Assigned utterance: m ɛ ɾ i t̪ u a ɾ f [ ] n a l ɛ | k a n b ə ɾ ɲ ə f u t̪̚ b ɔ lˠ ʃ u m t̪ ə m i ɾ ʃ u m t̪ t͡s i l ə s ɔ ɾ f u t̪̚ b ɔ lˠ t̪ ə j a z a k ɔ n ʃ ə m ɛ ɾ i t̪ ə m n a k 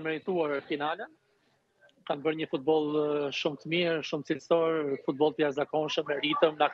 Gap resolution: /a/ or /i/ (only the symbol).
i